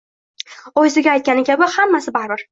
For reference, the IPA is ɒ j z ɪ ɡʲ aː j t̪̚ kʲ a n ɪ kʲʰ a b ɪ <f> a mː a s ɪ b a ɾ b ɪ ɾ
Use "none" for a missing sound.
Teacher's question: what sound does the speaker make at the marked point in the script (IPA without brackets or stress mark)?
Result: h